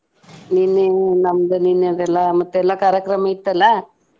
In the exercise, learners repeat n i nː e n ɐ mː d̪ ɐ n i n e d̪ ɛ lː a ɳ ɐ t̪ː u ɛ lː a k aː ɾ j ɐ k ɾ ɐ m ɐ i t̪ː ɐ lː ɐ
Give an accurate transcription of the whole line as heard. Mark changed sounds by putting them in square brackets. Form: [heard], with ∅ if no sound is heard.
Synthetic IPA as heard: n i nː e n ɐ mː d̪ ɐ n i n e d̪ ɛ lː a [m] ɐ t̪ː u ɛ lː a k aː ɾ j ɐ k ɾ ɐ m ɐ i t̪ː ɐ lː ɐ

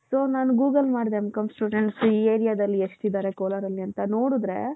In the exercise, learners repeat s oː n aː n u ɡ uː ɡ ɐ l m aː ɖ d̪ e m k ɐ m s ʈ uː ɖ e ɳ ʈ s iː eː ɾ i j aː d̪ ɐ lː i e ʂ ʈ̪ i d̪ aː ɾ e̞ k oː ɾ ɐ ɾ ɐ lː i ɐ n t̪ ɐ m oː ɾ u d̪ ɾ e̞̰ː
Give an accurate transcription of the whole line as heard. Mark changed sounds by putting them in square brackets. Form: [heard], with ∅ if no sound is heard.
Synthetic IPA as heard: s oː n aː n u ɡ uː ɡ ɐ l m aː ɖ d̪ e m k ɐ m s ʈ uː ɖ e ɳ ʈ s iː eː ɾ i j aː d̪ ɐ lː i e ʂ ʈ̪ i d̪ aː ɾ e̞ k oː [l] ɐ ɾ ɐ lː i ɐ n t̪ ɐ [n] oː [ɽ] u d̪ ɾ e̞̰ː

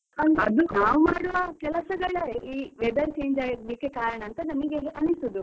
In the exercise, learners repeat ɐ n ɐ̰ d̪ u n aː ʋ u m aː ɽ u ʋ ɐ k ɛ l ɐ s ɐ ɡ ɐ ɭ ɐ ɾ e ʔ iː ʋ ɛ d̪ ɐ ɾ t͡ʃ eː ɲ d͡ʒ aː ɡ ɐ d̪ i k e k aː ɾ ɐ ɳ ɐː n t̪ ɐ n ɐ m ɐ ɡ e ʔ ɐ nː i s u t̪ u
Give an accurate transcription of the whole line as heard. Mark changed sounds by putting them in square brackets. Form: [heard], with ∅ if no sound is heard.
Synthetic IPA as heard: ɐ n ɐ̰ d̪ u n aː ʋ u m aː ɽ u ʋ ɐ k ɛ l ɐ s ɐ ɡ ɐ ɭ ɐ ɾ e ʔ iː ʋ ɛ d̪ ɐ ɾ t͡ʃ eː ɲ d͡ʒ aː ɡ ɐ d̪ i k e k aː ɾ ɐ ɳ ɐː n t̪ ɐ n ɐ m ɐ ɡ e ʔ ɐ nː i s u [d̪] u

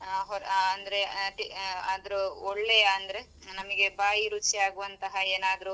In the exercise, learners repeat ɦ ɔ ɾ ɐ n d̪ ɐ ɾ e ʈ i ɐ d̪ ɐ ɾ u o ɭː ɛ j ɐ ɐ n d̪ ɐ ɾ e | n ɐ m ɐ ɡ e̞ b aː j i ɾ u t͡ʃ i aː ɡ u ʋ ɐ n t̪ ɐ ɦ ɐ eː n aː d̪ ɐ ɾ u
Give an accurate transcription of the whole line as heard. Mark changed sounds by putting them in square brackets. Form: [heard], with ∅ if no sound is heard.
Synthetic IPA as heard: ɦ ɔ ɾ ɐ n d̪ ɐ ɾ e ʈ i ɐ d̪ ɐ ɾ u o ɭː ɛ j ɐ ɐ n d̪ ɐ ɾ e | n ɐ m ɐ ɡ e̞ b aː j i ɾ u t͡ʃ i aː ɡ u ʋ ɐ n t̪ ɐ ɦ ɐ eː n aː d̪ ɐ ɾ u

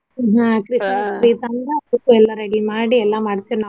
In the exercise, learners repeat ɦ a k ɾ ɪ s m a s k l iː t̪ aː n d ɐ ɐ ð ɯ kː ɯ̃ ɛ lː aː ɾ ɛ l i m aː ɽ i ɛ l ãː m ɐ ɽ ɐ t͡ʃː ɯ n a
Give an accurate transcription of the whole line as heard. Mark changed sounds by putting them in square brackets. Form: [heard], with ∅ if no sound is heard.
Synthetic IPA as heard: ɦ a k ɾ ɪ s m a s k [ɾ] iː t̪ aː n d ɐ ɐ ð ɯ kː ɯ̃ ɛ lː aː ɾ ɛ [ɽ] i m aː ɽ i ɛ [lː] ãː m ɐ ɽ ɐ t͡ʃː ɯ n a

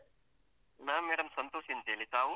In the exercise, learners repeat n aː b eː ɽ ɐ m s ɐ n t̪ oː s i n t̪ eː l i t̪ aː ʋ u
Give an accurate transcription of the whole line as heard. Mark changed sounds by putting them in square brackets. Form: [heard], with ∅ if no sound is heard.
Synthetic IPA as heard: n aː [m] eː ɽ ɐ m s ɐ n t̪ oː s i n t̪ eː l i t̪ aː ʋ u

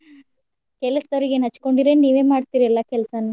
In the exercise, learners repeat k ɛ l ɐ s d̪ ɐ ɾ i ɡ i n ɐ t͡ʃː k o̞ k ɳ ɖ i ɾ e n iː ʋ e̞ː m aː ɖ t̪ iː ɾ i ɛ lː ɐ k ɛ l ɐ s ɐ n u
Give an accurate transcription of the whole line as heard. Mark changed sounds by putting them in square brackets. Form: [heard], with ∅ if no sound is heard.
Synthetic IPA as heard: k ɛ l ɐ s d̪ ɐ ɾ i ɡ [e] n ɐ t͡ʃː k o̞ [∅] ɳ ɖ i ɾ e n iː ʋ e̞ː m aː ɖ t̪ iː ɾ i ɛ lː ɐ k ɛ l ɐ s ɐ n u

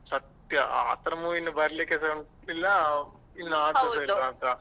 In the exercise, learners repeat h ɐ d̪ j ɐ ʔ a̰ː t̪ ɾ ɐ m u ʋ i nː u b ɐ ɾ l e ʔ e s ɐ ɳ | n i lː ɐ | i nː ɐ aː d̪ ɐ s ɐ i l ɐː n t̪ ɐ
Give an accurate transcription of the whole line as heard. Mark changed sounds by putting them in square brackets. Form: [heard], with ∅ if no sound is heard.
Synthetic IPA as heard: [s] ɐ [t̪] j ɐ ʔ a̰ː t̪ ɾ ɐ m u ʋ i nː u b ɐ ɾ l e [k] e s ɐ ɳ | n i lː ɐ | i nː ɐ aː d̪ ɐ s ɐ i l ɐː n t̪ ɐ

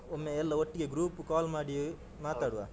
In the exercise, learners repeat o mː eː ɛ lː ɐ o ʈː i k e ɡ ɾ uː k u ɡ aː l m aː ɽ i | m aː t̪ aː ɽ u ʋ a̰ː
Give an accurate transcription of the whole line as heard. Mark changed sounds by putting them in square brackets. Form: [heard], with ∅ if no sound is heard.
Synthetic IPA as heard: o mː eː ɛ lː ɐ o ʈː i [ɡ] e ɡ ɾ uː [p] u [k] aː l m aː ɽ i | m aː t̪ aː ɽ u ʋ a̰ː

